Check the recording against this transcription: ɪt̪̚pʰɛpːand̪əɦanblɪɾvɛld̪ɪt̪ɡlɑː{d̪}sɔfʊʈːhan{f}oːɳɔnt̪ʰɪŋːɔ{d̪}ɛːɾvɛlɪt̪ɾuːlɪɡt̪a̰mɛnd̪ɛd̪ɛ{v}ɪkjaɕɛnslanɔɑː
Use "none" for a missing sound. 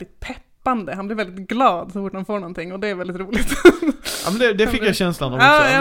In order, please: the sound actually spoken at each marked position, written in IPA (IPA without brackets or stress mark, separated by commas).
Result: d̪, f, d̪, f